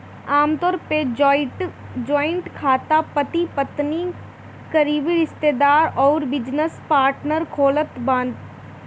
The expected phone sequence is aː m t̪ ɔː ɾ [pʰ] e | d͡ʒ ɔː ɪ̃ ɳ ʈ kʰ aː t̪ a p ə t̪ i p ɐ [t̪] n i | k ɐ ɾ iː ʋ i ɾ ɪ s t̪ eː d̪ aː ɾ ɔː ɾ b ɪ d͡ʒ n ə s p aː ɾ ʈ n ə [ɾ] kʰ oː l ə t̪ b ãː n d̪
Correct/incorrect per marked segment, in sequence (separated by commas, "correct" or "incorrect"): incorrect, correct, correct